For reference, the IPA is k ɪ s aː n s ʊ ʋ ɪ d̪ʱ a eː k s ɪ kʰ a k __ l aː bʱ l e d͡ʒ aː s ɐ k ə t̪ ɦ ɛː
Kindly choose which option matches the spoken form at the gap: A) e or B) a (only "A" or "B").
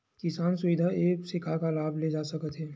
B